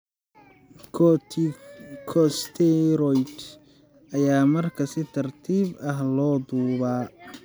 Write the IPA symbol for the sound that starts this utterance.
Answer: kʰ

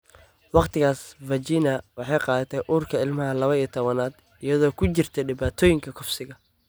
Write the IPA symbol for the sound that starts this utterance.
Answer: w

